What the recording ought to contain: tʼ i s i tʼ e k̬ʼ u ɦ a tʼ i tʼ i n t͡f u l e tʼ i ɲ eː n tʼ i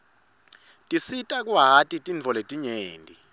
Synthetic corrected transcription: tʼ i s i tʼ a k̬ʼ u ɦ a tʼ i tʼ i n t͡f ɔ l e tʼ i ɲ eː n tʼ i